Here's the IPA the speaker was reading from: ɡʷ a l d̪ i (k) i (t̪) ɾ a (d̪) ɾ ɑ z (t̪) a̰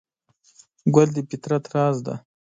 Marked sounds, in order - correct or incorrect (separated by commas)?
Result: incorrect, correct, incorrect, incorrect